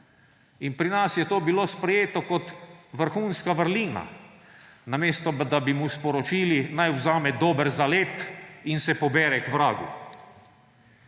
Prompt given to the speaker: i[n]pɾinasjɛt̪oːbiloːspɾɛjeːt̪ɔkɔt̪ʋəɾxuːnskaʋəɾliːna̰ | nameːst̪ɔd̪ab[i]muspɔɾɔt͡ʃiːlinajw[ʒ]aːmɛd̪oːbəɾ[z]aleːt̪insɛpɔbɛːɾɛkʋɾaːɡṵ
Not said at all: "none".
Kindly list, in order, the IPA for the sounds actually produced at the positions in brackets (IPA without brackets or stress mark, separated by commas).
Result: n, i, z, z